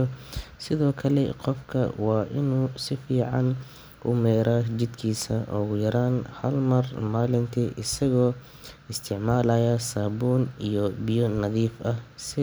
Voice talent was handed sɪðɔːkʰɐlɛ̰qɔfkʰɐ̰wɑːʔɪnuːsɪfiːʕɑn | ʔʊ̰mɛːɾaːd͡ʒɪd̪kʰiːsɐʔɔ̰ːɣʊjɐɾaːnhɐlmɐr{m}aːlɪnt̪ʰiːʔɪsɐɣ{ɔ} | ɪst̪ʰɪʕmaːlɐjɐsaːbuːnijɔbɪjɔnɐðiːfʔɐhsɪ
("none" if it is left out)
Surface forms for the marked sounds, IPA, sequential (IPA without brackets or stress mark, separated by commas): m, ɔː